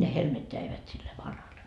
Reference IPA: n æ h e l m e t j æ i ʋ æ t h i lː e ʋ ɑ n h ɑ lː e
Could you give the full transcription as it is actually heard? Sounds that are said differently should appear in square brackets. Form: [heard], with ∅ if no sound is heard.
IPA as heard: n [e] h e l m e t j æ i ʋ æ t [s] i lː e ʋ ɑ n h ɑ lː e